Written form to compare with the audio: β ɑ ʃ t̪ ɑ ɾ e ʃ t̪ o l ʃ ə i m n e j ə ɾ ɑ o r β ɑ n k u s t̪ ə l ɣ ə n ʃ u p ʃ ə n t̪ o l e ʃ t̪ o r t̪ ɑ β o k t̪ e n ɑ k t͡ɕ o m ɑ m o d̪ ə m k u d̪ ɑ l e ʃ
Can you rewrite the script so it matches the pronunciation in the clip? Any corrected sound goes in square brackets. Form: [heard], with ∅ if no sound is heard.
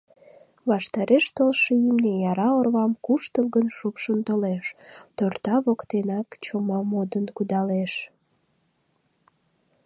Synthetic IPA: β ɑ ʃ t̪ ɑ ɾ e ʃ t̪ o l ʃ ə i m n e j [ɑ] ɾ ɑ o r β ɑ [m] k u [ʃ] t̪ ə l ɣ ə n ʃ u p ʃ ə n t̪ o l e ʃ t̪ o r t̪ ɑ β o k t̪ e n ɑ k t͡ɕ o m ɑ m o d̪ ə [n] k u d̪ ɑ l e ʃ